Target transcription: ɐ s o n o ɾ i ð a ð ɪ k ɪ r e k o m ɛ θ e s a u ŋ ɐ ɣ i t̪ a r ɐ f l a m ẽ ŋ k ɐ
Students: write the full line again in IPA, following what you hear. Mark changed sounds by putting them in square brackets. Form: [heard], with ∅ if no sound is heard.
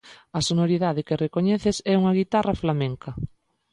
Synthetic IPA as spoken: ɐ s o n o ɾ i ð a ð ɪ k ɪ r e k o [ɲ] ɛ θ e s [ɛ] u ŋ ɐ ɣ i t̪ a r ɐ f l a m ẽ ŋ k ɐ